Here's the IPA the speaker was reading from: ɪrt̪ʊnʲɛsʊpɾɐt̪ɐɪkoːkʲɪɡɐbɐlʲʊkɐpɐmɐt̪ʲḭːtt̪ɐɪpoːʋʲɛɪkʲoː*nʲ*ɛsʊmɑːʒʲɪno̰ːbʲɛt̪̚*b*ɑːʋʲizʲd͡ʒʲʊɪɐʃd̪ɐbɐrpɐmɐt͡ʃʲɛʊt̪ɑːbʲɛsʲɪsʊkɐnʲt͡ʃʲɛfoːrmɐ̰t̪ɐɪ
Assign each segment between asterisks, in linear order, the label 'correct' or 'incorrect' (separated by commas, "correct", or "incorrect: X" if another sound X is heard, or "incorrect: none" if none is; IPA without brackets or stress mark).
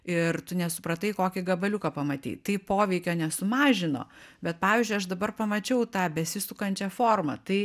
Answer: correct, incorrect: p